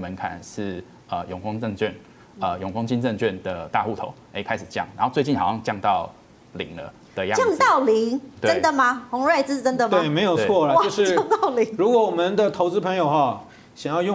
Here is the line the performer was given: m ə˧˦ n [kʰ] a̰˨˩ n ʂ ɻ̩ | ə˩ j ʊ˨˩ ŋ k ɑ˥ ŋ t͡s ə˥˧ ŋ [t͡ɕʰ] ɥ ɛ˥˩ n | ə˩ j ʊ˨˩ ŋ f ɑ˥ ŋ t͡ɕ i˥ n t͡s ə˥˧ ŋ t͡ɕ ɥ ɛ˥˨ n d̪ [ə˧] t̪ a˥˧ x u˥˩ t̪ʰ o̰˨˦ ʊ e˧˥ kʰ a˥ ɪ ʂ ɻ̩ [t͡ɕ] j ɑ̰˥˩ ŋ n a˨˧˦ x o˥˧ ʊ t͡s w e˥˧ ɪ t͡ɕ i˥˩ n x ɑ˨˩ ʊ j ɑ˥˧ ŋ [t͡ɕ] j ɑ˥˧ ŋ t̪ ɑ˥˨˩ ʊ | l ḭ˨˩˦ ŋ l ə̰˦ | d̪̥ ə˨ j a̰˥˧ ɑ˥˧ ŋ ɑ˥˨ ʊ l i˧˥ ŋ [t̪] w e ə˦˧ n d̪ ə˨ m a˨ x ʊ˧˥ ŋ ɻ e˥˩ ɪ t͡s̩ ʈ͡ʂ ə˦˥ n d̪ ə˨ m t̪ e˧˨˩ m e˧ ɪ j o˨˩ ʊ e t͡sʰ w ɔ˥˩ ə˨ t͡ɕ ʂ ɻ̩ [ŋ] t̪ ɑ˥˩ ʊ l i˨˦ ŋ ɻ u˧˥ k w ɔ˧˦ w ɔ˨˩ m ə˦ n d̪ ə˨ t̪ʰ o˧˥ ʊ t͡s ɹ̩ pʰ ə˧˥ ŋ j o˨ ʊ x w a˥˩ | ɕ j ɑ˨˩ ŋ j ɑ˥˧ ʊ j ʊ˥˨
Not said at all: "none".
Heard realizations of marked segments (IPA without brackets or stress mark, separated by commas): kʰ, t͡ɕ, ə˩, t͡ɕ, t͡ɕ, t̪, ŋ